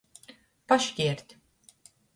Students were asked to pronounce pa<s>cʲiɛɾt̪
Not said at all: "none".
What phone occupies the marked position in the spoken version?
ʃ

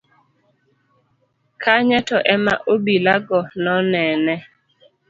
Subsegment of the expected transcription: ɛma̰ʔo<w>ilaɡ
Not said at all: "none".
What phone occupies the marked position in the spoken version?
b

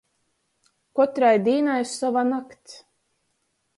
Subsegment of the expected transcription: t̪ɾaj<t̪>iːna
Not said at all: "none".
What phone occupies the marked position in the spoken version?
d̪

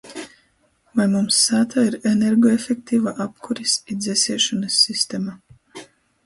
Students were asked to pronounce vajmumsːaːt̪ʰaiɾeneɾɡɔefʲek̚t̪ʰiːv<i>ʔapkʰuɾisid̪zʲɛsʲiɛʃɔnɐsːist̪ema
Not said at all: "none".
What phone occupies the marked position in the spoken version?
a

